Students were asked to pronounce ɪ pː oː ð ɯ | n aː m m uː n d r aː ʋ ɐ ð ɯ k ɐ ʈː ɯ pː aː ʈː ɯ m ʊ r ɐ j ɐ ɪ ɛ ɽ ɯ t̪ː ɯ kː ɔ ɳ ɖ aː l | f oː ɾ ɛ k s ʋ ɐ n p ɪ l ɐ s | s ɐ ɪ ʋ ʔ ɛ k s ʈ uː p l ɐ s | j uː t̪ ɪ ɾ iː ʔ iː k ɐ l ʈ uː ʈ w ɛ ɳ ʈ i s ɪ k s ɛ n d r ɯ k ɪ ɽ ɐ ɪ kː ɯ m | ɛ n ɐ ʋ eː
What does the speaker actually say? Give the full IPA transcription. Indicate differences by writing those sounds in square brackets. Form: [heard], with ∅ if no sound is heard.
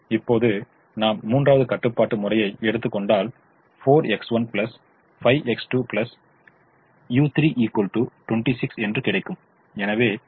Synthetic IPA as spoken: ɪ pː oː ð ɯ | n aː m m uː n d r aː ʋ ɐ ð ɯ k ɐ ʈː ɯ pː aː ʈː ɯ m ʊ r ɐ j ɐ ɪ ɛ ɽ ɯ t̪ː ɯ kː ɔ ɳ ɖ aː l | f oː ɾ ɛ k s ʋ ɐ n p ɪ l ɐ s | [f] ɐ ɪ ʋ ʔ ɛ k s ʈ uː p l ɐ s | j uː t̪ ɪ ɾ iː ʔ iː k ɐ l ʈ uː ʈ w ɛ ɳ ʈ i s ɪ k s ɛ n d r ɯ k ɪ ɽ ɐ ɪ kː ɯ m | ɛ n ɐ ʋ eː